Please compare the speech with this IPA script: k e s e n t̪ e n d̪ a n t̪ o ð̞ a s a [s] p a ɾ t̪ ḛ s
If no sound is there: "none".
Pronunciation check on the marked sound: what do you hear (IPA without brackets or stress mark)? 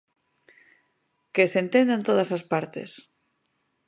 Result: s